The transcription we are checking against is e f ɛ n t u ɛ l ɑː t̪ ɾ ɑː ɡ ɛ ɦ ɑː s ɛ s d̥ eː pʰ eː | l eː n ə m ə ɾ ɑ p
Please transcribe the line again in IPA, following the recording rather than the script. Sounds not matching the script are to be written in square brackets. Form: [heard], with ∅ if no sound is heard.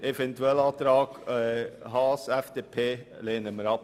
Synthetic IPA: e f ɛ n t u ɛ l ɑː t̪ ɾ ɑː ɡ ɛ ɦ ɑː s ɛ [f] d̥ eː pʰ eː | l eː n ə m ə ɾ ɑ p